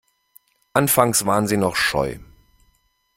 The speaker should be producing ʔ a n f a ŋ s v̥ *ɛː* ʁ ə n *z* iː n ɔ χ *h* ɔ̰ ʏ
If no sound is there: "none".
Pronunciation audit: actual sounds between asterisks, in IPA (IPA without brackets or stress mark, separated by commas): aː, z, ʃ